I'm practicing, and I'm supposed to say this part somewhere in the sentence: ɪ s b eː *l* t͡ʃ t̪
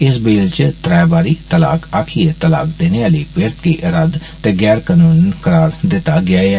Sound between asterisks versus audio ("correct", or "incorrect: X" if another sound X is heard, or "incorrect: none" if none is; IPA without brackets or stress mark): correct